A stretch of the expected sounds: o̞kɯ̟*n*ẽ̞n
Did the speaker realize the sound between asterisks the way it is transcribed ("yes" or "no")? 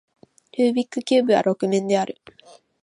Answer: no